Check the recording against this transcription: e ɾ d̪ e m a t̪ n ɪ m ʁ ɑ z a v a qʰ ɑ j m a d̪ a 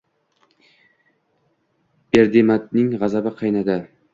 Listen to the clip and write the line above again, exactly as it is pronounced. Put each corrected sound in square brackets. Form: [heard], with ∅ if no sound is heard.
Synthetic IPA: e ɾ d̪ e m a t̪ n ɪ [ŋ] ʁ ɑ z a [b] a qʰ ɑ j [n] a d̪ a

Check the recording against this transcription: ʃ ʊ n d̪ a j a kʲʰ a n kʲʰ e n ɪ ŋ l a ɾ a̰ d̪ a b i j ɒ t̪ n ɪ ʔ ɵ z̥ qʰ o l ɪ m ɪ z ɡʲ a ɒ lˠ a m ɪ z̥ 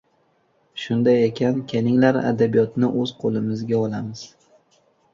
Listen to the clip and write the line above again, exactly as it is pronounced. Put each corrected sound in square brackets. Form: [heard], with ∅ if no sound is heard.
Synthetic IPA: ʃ ʊ n d̪ a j [e] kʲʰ a n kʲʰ e n ɪ ŋ l a ɾ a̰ d̪ a b i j ɒ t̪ n ɪ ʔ ɵ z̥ qʰ o l ɪ m ɪ z ɡʲ a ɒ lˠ a m ɪ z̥

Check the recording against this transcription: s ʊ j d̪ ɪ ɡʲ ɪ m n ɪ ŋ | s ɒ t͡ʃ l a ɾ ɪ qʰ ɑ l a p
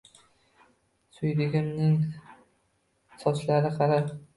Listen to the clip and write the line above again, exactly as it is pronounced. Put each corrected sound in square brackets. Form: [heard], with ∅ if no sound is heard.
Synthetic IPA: s ʊ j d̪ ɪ ɡʲ ɪ m n ɪ ŋ | s ɒ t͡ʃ l a ɾ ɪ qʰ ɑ [ɾ] a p

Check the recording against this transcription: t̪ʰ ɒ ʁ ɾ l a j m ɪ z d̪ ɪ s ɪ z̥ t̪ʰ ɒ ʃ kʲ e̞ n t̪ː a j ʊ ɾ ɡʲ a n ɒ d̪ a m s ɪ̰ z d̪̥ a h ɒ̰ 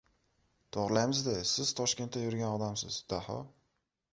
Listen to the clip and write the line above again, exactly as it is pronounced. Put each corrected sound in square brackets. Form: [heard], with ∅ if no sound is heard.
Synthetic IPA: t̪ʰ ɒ ʁ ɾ l a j m ɪ z d̪ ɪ s ɪ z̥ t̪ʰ ɒ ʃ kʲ e̞ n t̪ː a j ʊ ɾ ɡʲ a n ɒ d̪ a m s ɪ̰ z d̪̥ a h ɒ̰

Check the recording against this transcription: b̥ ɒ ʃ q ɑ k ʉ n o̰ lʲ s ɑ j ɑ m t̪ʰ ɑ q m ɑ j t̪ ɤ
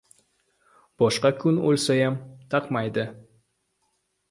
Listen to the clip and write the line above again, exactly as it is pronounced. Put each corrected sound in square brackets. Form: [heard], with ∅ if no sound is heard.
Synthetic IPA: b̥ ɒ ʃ q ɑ k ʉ n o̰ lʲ s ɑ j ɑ m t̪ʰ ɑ q m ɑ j [d̪] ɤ

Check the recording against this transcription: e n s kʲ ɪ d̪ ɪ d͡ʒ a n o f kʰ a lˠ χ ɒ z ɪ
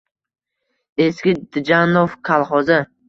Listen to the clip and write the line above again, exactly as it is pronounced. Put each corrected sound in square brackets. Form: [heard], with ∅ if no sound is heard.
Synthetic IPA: e [∅] s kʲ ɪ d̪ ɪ d͡ʒ a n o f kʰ a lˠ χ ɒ z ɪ

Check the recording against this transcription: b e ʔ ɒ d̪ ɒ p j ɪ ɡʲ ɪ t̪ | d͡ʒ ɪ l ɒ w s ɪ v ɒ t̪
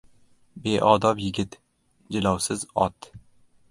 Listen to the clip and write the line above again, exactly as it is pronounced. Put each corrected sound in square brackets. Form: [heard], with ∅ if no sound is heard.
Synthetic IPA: b e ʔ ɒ d̪ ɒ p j ɪ ɡʲ ɪ t̪ | d͡ʒ ɪ l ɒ w s ɪ [z] ɒ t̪

